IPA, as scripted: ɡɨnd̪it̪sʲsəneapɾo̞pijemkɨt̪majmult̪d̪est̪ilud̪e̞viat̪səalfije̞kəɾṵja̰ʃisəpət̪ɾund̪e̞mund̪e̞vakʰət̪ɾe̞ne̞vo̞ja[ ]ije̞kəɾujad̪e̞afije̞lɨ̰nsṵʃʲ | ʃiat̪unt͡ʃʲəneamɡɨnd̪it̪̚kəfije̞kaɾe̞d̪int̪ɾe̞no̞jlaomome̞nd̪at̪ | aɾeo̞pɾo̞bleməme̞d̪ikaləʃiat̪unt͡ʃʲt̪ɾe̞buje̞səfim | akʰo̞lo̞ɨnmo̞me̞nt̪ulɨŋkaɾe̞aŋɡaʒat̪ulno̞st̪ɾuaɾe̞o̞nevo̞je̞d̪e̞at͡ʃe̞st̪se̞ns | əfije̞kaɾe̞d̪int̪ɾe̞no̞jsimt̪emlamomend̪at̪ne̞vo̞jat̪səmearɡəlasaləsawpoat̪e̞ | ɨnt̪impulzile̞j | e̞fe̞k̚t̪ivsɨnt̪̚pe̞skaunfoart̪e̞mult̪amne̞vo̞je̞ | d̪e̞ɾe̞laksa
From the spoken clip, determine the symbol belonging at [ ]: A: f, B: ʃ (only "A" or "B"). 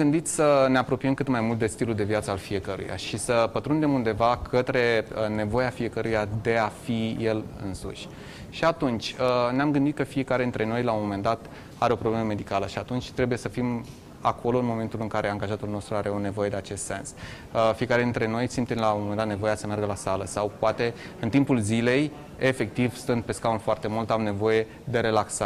A